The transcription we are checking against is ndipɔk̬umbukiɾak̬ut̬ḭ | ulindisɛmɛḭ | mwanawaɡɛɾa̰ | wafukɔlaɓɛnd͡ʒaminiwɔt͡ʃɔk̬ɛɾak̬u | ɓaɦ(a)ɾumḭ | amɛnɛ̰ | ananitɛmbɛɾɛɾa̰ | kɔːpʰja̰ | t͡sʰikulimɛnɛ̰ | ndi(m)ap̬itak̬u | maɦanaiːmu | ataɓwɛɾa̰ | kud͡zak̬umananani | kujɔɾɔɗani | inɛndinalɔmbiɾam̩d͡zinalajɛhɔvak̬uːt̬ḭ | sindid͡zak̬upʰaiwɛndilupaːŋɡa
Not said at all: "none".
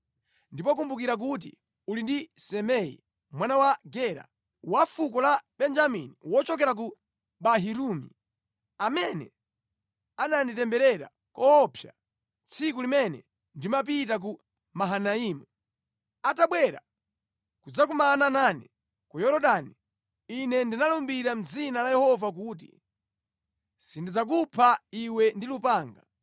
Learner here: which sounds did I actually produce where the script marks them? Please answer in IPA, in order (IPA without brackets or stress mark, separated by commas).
i, m